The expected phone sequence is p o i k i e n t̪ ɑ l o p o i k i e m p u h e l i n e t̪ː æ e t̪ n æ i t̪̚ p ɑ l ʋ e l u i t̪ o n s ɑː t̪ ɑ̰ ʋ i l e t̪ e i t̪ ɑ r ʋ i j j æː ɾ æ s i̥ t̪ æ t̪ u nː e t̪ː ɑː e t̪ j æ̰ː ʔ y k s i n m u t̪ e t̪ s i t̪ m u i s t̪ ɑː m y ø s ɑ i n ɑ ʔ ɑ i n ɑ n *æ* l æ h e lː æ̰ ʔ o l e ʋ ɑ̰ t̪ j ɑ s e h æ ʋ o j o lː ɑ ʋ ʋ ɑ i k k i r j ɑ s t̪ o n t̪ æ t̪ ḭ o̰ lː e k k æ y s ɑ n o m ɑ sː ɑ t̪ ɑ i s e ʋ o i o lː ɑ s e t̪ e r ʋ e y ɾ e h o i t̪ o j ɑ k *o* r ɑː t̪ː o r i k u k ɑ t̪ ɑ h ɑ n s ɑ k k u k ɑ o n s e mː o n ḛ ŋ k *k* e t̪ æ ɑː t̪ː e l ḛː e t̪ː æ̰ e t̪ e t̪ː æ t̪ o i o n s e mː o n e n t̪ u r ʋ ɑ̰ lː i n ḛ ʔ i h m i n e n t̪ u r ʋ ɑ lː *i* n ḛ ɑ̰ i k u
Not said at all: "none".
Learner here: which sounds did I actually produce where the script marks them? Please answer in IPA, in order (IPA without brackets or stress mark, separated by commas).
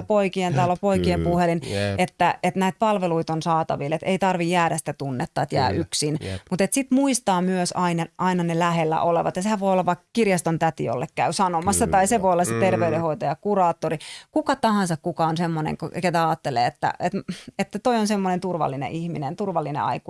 e, u, k, i